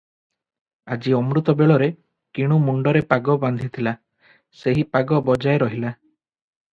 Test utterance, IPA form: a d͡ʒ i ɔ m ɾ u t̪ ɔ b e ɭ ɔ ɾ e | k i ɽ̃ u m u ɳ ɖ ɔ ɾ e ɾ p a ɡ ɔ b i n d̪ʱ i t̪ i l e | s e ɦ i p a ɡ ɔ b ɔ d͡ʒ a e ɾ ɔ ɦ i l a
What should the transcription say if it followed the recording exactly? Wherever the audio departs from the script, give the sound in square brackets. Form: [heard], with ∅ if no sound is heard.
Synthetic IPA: a d͡ʒ i ɔ m ɾ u t̪ ɔ b e ɭ ɔ ɾ e | k i ɽ̃ u m u ɳ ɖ ɔ ɾ e [∅] p a ɡ ɔ b [a] n d̪ʱ i [t̪ʰ] i l [a] | s e ɦ i p a ɡ ɔ b ɔ d͡ʒ a e ɾ ɔ ɦ i l a